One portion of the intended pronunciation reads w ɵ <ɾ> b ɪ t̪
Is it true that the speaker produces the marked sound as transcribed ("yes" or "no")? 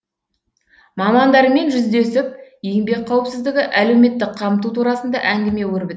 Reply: yes